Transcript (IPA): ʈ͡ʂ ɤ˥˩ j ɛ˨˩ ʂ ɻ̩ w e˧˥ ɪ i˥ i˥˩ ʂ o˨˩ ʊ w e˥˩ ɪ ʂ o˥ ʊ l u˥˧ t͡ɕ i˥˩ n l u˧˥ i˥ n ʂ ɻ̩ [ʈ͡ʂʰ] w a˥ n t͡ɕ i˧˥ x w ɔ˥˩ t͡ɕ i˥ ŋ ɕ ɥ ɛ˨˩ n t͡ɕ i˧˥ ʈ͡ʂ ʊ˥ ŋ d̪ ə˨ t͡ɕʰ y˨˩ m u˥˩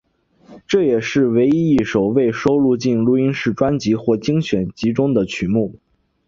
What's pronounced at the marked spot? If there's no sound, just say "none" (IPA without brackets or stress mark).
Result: ʈ͡ʂ